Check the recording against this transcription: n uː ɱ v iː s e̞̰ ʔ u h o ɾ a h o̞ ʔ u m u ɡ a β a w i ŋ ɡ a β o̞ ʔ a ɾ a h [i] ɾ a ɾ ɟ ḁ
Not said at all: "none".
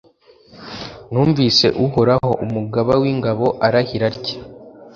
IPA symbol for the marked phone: i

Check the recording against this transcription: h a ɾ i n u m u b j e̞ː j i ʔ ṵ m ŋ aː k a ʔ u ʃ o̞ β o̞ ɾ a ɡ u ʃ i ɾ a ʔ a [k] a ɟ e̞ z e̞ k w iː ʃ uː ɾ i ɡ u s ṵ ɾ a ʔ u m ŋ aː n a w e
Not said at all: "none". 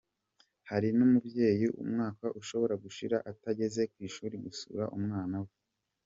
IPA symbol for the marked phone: t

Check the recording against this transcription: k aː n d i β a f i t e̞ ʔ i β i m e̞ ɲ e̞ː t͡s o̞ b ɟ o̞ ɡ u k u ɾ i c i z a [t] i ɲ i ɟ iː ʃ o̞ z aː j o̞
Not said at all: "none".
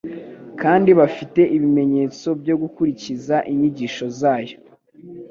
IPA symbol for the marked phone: ʔ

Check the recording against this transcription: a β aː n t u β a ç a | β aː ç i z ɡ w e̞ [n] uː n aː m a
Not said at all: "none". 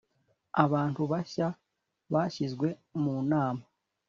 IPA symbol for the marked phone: m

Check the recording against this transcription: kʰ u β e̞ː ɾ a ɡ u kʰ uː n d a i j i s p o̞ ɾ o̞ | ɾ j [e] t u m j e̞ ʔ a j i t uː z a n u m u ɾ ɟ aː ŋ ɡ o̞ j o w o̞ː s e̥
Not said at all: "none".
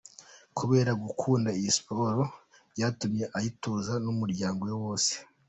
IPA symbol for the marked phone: a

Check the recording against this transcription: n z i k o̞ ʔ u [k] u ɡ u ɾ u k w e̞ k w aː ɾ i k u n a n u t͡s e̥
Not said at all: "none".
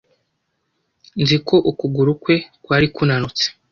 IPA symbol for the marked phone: k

